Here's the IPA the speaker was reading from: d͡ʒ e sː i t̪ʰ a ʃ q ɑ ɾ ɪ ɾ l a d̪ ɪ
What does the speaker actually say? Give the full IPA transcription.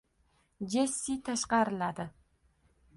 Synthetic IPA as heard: d͡ʒ e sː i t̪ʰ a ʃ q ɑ ɾ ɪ l a d̪ ɪ